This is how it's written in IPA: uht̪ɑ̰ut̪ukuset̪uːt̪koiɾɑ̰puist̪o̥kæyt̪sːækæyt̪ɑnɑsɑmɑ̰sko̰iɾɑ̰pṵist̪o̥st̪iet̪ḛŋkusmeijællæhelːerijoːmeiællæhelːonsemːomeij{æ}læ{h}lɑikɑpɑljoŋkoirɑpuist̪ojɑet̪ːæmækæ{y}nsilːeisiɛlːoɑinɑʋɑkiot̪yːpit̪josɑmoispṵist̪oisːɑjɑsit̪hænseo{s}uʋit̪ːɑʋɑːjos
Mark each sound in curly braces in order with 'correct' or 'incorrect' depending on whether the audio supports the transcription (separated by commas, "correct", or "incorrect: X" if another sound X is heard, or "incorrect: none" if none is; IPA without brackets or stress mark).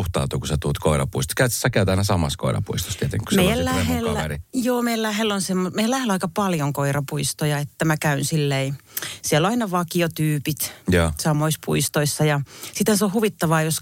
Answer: correct, correct, correct, incorrect: h